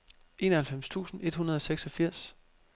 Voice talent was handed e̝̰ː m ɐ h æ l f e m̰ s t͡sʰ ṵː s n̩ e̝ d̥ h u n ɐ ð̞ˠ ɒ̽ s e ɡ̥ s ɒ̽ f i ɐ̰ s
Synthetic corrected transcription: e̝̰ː n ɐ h æ l f e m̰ s t͡sʰ ṵː s n̩ e̝ d̥ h u n ɐ ð̞ˠ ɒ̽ s e ɡ̥ s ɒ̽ f i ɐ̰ s